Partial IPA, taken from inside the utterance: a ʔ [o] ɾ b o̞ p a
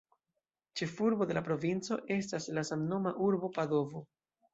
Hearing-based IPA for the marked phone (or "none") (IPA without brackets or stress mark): u